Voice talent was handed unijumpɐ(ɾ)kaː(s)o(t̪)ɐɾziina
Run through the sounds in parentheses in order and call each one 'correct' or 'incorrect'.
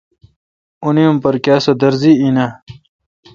correct, correct, incorrect

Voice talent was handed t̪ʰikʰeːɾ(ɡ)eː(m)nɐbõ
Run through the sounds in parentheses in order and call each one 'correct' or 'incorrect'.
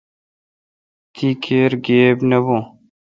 correct, incorrect

